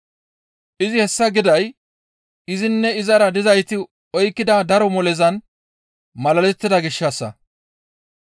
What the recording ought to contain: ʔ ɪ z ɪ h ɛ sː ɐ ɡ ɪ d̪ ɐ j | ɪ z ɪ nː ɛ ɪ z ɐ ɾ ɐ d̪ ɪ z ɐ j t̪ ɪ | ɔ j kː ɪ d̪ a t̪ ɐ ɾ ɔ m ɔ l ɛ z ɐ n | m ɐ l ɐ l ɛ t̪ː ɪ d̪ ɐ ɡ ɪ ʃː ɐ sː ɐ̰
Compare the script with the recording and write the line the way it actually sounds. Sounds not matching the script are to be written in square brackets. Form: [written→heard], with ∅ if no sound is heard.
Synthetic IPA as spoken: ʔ ɪ z ɪ h ɛ sː ɐ ɡ ɪ d̪ ɐ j | ɪ z ɪ nː ɛ ɪ z ɐ ɾ ɐ d̪ ɪ z ɐ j t̪ ɪ | ɔ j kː ɪ d̪ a [t̪→d̪] ɐ ɾ ɔ m ɔ l ɛ z ɐ n | m ɐ l ɐ l ɛ t̪ː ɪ d̪ ɐ ɡ ɪ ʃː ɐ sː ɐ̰